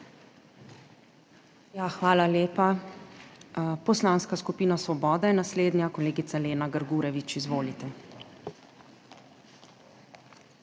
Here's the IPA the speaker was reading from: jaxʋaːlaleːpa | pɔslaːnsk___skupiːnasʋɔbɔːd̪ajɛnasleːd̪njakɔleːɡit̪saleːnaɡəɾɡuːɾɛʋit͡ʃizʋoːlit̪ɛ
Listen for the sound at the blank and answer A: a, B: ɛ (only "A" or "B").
A